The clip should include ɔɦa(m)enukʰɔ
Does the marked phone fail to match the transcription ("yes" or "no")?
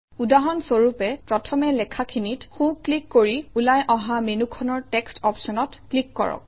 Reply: no